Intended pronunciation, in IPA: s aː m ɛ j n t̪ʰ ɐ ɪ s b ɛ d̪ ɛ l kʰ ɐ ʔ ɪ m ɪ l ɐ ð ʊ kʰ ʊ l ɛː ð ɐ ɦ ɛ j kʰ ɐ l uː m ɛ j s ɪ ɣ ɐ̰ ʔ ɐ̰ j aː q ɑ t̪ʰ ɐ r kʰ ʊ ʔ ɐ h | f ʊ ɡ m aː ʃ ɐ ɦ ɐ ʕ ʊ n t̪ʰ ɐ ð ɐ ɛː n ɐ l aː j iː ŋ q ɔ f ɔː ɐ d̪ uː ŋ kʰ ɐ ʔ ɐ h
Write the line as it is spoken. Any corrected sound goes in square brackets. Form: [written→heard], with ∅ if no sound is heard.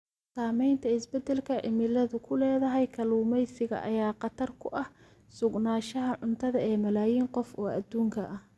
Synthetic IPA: s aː m ɛ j n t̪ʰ ɐ ɪ s b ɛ d̪ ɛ l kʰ ɐ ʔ ɪ m ɪ l ɐ ð ʊ kʰ ʊ l ɛː ð ɐ ɦ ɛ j kʰ ɐ l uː m ɛ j s ɪ ɣ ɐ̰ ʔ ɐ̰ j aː q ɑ t̪ʰ ɐ r kʰ ʊ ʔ ɐ h | [f→s] ʊ ɡ [m→n] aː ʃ ɐ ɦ ɐ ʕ ʊ n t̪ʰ ɐ ð ɐ ɛː [n→m] ɐ l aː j iː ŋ q ɔ f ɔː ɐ d̪ uː ŋ kʰ ɐ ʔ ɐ h